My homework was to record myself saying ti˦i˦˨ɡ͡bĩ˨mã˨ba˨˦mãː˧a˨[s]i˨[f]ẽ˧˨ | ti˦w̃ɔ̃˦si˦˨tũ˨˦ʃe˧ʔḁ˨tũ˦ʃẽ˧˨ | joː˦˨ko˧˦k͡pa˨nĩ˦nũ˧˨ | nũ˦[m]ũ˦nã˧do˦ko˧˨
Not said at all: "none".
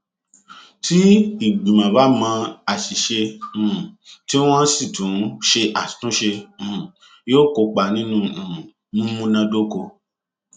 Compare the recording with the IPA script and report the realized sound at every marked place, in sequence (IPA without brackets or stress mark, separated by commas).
ʃ, ʃ, m